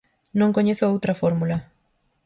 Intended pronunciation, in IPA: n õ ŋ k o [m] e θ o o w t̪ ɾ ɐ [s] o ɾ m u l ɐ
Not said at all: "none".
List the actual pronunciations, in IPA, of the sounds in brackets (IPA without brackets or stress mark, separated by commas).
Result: ɲ, f